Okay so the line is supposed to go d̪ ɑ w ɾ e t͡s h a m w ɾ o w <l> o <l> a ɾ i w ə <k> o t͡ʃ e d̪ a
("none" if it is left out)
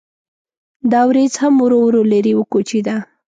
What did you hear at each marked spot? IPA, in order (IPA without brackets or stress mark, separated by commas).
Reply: ɾ, l, k